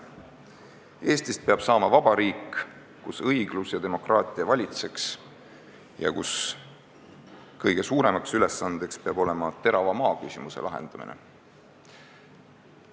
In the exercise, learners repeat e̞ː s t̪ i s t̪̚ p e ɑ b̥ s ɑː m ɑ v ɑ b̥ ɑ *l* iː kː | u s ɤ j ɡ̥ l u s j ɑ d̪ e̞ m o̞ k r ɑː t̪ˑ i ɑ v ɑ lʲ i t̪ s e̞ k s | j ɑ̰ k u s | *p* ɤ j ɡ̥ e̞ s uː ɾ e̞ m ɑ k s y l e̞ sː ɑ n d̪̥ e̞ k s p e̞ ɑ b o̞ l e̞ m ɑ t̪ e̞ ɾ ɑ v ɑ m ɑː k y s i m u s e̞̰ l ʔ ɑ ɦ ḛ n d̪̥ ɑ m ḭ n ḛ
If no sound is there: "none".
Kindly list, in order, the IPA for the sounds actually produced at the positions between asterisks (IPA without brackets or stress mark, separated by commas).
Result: ɾ, k